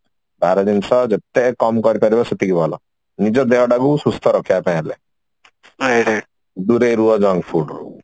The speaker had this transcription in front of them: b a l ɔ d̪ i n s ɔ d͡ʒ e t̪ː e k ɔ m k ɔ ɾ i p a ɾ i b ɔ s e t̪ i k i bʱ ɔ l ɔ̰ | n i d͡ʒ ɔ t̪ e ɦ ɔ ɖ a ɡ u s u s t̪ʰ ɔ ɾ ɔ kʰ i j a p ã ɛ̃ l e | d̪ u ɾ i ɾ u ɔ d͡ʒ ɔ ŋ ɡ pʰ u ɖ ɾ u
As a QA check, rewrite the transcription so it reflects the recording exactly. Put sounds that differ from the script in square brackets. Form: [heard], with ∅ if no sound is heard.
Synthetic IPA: b a [ɾ] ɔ d̪ i n s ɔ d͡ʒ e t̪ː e k ɔ m k ɔ ɾ i p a ɾ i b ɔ s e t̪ i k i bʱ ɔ l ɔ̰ | n i d͡ʒ ɔ [d̪] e ɦ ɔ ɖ a ɡ u s u s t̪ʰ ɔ ɾ ɔ kʰ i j a p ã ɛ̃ l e | d̪ u ɾ [e] ɾ u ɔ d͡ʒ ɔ ŋ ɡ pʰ u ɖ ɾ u